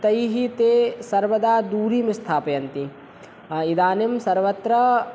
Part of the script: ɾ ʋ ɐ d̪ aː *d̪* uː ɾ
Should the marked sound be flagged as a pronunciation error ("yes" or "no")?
no